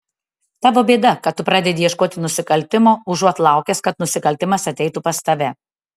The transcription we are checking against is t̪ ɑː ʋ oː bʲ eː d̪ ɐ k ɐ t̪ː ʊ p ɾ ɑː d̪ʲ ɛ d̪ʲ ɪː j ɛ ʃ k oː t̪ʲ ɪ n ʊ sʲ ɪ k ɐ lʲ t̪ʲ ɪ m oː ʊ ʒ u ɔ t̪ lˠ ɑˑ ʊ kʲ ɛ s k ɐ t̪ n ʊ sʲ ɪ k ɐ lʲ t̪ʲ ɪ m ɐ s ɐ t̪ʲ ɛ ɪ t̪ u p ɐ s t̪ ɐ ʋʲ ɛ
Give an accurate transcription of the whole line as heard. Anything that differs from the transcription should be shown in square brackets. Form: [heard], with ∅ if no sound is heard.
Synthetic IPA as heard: t̪ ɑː ʋ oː bʲ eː d̪ ɐ k ɐ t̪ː ʊ p ɾ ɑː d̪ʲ ɛ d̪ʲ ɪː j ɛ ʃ k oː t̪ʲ ɪ n ʊ sʲ ɪ k ɐ lʲ t̪ʲ ɪ m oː ʊ ʒ u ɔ t̪ lˠ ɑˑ ʊ kʲ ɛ s k ɐ t̪ n ʊ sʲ ɪ k ɐ lʲ t̪ʲ ɪ m ɐ s ɐ t̪ʲ ɛ ɪ t̪ u p ɐ s t̪ ɐ ʋʲ ɛ